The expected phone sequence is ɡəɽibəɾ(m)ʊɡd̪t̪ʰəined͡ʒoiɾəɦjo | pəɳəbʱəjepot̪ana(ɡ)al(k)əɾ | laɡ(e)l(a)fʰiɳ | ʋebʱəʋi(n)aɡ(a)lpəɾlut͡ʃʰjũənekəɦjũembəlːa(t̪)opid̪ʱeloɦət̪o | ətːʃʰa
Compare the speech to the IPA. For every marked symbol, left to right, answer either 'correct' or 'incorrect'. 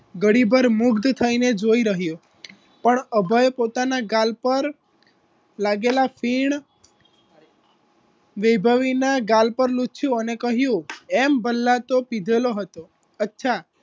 correct, correct, incorrect: p, correct, correct, correct, correct, correct

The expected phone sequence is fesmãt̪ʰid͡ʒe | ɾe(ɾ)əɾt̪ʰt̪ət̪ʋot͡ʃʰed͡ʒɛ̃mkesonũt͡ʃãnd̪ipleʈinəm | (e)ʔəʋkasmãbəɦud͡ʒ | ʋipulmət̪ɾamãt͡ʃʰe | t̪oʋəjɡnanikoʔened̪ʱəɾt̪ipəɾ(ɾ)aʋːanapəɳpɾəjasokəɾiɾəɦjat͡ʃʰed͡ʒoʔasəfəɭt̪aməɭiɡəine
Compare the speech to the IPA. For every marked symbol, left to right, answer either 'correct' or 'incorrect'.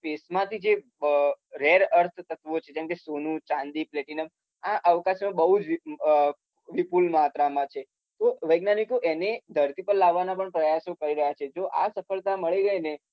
correct, incorrect: a, incorrect: l

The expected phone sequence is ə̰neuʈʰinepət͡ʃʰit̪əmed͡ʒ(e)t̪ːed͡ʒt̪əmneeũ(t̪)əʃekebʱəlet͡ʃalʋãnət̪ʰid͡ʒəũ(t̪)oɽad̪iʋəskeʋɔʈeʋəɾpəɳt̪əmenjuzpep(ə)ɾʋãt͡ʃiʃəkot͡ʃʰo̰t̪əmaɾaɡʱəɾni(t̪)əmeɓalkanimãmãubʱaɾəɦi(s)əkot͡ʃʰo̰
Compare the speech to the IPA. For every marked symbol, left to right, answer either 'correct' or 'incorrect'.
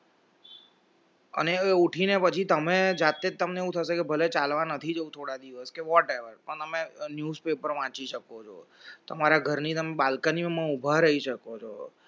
incorrect: a, incorrect: t̪ʰ, incorrect: t̪ʰ, correct, correct, incorrect: ʃ

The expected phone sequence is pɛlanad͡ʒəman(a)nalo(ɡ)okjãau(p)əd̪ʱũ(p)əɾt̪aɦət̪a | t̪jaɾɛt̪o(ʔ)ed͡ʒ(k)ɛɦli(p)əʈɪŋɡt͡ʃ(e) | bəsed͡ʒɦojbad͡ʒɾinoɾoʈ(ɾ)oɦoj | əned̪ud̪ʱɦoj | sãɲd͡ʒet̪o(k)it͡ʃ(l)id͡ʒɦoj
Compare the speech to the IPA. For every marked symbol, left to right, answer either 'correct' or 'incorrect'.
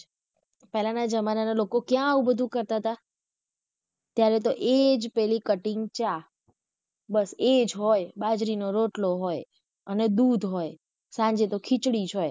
correct, incorrect: k, incorrect: b, incorrect: k, correct, incorrect: p, incorrect: k, incorrect: a, incorrect: l, incorrect: kʰ, incorrect: ɽ

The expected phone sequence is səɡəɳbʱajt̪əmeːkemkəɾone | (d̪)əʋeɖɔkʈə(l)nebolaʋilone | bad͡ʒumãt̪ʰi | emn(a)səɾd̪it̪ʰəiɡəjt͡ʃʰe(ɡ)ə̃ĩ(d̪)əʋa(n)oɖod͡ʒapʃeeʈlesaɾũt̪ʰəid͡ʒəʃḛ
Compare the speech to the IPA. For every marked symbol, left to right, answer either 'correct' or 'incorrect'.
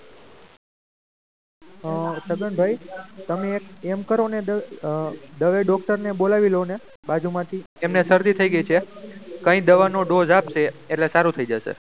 correct, incorrect: ɾ, incorrect: e, incorrect: k, correct, correct

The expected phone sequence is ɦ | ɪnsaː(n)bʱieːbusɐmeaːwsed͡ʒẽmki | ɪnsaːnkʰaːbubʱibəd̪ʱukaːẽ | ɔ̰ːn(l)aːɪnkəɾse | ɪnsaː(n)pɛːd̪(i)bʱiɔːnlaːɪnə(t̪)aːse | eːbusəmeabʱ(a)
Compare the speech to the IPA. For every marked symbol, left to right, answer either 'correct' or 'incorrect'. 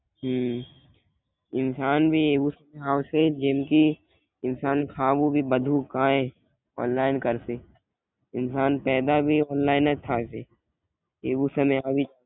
correct, correct, correct, incorrect: a, incorrect: t̪ʰ, incorrect: i

